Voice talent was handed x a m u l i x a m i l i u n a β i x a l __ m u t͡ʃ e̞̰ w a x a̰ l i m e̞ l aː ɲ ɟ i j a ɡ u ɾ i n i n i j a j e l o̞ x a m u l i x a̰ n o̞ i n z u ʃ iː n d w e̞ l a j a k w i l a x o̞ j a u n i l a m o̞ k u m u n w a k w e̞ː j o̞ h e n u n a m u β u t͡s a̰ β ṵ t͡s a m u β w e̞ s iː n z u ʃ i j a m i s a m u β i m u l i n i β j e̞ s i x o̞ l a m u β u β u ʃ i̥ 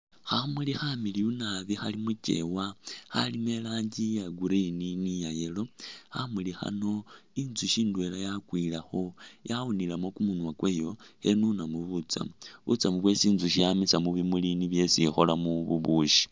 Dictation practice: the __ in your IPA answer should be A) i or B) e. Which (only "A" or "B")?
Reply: A